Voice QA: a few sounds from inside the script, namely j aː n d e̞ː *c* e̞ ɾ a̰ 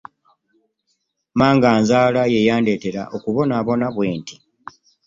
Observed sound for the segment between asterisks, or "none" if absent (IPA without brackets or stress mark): t